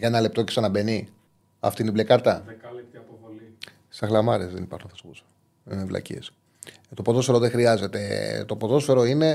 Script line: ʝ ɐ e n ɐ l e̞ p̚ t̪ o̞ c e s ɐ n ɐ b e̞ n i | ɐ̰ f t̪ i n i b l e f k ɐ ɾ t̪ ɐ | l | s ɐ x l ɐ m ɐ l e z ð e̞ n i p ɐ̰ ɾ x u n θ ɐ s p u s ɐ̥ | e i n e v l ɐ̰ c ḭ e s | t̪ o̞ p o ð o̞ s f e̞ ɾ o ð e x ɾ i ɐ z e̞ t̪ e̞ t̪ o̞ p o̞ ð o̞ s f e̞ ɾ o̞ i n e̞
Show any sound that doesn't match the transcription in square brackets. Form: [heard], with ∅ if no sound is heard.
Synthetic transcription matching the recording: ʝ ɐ e n ɐ l e̞ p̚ t̪ o̞ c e s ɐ n ɐ b e̞ n i | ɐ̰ f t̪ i n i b l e [∅] k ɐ ɾ t̪ ɐ | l | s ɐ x l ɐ m ɐ [ɾ] e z ð e̞ n i p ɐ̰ ɾ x u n θ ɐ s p u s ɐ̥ | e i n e v l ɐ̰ c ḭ e s | t̪ o̞ p o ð o̞ s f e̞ ɾ o ð e x ɾ i ɐ z e̞ t̪ e̞ t̪ o̞ p o̞ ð o̞ s f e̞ ɾ o̞ i n e̞